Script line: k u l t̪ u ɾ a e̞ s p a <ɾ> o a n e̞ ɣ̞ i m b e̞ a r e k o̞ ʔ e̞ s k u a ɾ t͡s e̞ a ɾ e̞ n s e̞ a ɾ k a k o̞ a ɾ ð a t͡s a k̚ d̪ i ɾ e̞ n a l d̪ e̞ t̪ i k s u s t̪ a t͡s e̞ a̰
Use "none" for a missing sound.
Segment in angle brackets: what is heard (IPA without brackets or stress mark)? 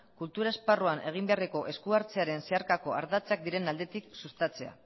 r